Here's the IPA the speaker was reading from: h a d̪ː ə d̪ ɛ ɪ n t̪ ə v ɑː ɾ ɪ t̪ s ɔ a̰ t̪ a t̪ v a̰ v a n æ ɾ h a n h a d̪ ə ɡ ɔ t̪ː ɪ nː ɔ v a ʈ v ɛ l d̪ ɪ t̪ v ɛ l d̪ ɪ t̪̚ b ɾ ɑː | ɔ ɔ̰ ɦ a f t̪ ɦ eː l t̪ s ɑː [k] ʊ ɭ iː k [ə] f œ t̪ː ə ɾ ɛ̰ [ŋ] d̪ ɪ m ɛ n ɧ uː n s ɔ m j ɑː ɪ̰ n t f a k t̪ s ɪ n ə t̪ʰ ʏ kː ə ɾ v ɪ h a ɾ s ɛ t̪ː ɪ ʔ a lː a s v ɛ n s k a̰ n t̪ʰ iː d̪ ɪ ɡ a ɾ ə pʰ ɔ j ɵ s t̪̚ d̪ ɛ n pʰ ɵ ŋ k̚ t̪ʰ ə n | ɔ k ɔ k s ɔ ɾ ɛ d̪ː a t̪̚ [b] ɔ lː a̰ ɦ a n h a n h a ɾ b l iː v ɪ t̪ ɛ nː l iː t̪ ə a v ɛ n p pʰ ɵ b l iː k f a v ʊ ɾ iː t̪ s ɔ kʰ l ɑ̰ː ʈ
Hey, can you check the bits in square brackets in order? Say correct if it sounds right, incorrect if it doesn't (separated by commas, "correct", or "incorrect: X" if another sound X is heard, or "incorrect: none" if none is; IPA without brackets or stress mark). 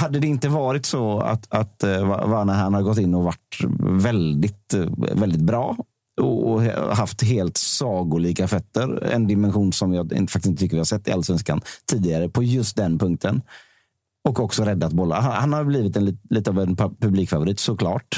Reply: incorrect: ɡ, incorrect: a, incorrect: n, correct